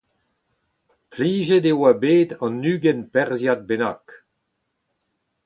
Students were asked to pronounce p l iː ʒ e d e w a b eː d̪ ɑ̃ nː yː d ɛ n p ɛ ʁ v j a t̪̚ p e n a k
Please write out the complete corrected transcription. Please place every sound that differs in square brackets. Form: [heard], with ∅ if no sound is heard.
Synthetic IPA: p l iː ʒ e d e w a b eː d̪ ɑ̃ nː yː [ɡ] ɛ n p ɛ ʁ [z] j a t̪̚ [b] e n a k